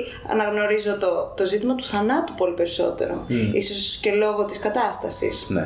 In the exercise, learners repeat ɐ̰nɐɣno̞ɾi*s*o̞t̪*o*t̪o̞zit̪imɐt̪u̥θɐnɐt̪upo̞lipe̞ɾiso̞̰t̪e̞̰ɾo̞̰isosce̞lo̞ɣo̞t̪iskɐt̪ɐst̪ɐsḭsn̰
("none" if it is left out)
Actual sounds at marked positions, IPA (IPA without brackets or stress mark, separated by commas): z, o